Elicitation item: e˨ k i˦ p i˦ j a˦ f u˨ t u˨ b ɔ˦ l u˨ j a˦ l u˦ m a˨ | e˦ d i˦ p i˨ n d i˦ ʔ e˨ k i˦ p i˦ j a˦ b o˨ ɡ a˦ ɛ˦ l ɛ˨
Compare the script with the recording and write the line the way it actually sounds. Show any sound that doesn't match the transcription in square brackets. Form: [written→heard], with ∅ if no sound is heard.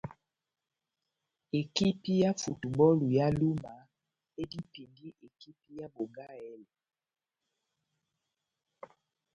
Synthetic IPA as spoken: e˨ k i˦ p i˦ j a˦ f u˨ t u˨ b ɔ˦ l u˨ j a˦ l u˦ m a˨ | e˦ d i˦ p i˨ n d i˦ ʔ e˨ k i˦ p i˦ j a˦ b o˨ ɡ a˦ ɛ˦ l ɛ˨